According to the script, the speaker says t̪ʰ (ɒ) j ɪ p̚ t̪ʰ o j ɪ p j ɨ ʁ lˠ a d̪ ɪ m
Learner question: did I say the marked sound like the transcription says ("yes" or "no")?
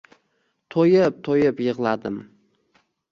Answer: no